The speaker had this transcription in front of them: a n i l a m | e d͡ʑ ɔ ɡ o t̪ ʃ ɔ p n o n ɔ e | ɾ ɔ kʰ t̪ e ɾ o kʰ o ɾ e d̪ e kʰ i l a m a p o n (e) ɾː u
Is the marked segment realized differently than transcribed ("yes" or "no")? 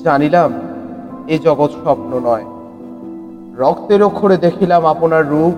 yes